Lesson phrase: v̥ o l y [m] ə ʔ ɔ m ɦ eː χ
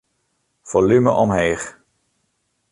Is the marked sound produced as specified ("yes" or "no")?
yes